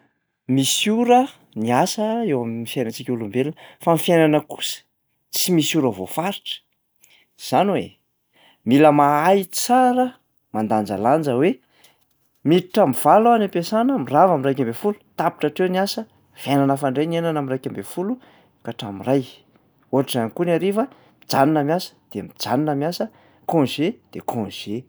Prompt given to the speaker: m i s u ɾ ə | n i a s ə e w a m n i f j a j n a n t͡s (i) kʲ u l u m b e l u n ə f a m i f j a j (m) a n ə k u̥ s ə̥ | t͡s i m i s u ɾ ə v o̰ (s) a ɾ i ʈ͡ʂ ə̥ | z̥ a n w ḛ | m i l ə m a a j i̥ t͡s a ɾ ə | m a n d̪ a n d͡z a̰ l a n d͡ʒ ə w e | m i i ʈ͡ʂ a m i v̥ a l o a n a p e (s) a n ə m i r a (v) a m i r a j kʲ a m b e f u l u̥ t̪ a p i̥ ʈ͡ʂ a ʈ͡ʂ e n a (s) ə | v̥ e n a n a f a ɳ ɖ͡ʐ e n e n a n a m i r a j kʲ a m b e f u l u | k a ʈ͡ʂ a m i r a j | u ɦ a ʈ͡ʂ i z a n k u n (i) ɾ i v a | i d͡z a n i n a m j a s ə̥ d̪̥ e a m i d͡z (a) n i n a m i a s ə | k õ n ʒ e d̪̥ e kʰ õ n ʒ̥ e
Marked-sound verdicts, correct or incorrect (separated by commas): correct, incorrect, incorrect, correct, correct, correct, incorrect, correct